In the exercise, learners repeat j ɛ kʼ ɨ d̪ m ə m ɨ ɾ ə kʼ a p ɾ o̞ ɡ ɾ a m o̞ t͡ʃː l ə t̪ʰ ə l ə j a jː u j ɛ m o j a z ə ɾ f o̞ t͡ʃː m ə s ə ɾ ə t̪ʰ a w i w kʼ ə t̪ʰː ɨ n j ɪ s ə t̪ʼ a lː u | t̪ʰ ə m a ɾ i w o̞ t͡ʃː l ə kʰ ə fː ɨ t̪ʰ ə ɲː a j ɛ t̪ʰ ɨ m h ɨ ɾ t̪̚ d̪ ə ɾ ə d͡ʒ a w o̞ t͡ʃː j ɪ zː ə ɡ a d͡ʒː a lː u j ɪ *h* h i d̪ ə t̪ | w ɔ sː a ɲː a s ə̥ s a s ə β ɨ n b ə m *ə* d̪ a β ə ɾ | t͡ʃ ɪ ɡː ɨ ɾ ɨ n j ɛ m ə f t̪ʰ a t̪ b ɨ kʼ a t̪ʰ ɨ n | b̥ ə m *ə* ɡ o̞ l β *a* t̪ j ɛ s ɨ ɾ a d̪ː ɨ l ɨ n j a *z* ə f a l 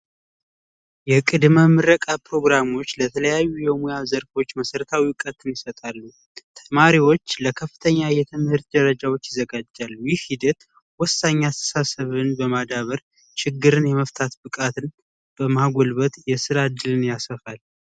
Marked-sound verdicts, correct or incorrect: correct, incorrect: a, incorrect: a, incorrect: ə, incorrect: s

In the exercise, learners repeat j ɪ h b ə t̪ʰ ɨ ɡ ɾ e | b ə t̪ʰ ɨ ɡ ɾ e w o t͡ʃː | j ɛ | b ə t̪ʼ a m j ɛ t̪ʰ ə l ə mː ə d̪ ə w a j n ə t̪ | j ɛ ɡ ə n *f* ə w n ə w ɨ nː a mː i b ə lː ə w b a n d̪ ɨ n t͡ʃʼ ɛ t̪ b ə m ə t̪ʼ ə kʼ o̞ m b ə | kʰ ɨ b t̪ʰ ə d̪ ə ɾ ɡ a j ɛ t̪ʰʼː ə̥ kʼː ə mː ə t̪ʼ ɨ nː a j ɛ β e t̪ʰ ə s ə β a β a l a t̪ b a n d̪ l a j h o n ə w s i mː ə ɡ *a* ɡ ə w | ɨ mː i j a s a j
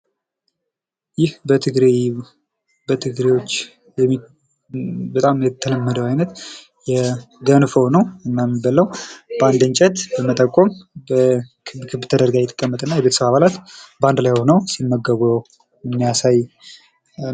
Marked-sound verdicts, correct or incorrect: correct, incorrect: ə

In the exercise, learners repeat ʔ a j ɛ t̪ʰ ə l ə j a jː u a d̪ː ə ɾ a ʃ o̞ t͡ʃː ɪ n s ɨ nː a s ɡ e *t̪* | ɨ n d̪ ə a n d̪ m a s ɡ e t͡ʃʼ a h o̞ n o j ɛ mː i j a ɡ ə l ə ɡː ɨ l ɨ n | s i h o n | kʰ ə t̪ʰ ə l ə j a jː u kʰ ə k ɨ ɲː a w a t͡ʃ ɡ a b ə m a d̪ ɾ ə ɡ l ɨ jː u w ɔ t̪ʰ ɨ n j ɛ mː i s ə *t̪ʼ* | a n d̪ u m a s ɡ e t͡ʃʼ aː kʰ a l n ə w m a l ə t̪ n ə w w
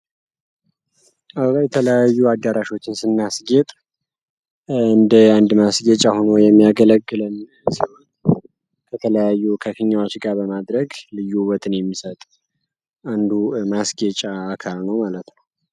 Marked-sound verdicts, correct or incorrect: incorrect: t̪ʼ, correct

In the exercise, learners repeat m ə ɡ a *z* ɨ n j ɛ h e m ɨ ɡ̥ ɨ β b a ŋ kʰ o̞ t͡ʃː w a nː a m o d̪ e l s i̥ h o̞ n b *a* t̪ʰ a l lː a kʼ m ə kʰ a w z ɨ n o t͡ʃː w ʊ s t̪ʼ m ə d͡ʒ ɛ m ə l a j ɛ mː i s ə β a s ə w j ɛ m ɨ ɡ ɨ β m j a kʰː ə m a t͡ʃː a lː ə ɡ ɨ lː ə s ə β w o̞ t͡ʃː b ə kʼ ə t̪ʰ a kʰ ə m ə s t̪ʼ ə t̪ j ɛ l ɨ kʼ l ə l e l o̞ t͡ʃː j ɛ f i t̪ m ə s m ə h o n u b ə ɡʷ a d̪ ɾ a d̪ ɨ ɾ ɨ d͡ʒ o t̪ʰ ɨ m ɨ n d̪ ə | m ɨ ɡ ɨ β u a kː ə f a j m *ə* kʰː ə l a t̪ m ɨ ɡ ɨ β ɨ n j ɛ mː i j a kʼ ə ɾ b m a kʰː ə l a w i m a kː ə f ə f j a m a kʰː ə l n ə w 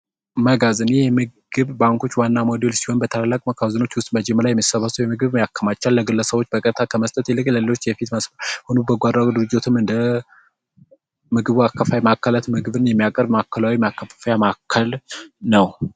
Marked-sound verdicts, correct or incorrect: correct, incorrect: ə, incorrect: a

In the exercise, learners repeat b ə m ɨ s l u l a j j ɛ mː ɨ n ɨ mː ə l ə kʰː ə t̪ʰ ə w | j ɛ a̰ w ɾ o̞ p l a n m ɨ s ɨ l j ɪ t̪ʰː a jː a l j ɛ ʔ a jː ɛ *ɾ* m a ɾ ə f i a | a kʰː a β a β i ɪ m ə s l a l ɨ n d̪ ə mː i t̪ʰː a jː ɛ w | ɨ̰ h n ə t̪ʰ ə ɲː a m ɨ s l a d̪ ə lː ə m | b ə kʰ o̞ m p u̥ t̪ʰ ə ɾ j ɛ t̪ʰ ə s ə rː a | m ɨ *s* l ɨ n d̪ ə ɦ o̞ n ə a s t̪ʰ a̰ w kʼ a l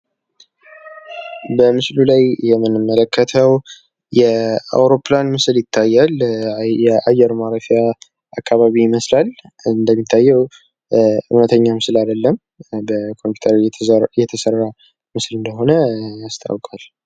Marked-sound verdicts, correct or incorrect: correct, correct

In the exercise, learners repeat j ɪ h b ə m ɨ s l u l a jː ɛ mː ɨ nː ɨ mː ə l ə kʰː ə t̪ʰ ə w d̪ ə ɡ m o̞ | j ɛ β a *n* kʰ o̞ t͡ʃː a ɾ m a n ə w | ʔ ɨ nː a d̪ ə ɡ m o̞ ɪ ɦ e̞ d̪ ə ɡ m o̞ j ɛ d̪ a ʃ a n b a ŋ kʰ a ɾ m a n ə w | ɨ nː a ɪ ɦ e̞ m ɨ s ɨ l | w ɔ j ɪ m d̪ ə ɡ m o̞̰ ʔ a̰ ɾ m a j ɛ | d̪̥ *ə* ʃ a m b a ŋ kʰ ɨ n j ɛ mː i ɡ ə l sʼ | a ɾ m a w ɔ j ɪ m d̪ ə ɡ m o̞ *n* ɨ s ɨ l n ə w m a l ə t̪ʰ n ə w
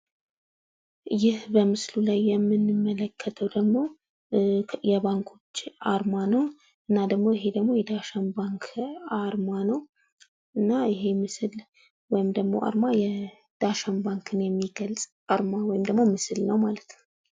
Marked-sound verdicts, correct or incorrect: incorrect: ŋ, incorrect: a, incorrect: m

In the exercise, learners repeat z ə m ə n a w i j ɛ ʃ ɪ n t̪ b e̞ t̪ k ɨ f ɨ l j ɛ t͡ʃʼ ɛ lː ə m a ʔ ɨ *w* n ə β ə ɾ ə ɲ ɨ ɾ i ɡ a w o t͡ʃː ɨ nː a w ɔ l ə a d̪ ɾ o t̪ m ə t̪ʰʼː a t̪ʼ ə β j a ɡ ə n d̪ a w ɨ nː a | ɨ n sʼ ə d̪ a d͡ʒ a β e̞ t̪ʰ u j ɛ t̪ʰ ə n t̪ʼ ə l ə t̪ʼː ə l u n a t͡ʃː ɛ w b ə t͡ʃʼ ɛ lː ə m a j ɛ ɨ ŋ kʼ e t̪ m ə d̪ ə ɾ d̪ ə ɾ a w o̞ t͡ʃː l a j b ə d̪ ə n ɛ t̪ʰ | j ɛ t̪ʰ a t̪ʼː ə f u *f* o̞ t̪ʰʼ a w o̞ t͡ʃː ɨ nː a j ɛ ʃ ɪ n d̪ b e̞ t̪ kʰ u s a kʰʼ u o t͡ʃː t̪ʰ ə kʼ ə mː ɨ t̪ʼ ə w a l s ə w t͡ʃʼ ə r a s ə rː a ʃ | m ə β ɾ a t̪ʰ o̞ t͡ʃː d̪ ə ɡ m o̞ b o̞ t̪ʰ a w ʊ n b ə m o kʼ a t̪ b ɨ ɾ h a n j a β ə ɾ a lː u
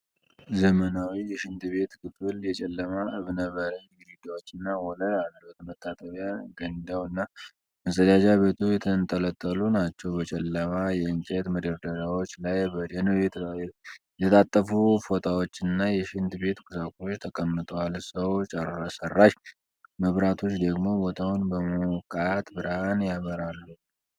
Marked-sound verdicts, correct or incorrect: incorrect: β, correct

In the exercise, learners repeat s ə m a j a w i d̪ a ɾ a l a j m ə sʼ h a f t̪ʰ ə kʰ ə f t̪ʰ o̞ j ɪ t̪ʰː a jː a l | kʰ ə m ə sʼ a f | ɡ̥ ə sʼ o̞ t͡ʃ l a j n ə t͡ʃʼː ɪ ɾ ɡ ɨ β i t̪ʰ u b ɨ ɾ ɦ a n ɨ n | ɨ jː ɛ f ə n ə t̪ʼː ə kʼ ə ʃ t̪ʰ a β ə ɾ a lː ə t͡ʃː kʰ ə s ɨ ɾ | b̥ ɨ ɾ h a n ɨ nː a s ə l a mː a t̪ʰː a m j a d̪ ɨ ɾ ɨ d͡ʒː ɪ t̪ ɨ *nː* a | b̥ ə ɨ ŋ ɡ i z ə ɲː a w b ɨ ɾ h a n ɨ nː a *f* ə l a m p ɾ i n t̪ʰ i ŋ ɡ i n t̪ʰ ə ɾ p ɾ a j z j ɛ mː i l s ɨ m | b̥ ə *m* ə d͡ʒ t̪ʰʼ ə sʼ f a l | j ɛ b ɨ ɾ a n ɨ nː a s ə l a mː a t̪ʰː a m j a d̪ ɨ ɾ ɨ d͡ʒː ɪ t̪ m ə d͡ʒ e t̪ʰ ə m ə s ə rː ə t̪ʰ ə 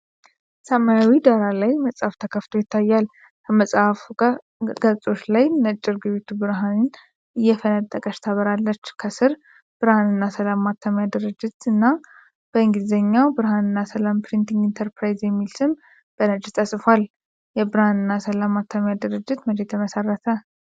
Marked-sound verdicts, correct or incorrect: correct, incorrect: s, incorrect: n

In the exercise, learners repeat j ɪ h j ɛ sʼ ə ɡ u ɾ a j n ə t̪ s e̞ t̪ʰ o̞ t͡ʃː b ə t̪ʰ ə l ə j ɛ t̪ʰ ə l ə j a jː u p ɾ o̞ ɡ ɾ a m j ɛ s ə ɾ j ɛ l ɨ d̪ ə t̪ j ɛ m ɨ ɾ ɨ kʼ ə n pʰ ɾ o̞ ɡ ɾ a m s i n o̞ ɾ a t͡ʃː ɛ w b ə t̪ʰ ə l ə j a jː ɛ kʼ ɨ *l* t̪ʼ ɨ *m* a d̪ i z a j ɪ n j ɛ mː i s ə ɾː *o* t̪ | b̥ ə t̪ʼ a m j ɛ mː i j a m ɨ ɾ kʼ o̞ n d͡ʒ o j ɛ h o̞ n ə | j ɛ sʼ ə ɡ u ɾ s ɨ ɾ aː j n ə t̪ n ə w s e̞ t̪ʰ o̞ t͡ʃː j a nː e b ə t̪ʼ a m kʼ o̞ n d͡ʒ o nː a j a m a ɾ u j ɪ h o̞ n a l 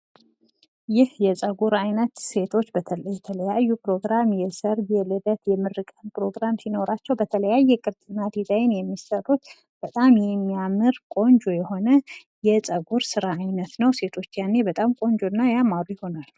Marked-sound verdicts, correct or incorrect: incorrect: ɾ, incorrect: n, incorrect: u

